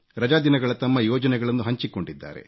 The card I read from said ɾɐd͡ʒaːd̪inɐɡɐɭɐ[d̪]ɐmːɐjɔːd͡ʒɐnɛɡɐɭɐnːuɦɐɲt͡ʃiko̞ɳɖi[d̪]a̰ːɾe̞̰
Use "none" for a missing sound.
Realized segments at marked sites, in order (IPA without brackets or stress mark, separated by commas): t̪, d̪ː